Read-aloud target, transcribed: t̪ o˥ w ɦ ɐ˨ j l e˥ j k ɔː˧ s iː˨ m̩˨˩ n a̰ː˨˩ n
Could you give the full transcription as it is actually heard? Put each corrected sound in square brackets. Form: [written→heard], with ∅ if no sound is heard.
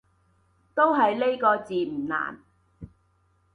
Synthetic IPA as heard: t̪ o˥ w ɦ ɐ˨ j l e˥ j k ɔː˧ [s→t͡s] iː˨ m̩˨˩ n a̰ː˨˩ n